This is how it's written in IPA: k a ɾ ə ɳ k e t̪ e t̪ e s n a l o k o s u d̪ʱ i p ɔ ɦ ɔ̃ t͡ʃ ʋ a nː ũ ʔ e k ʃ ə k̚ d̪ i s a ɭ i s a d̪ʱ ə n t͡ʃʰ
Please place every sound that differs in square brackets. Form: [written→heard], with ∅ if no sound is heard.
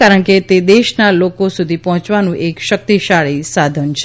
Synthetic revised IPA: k a ɾ ə ɳ k e t̪ e [t̪→d̪] e [s→ʃ] n a l o k o s u d̪ʱ i p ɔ ɦ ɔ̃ t͡ʃ ʋ a [nː→n] ũ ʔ e k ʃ ə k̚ [d̪→t̪] i [s→ʃ] a ɭ i s a d̪ʱ ə n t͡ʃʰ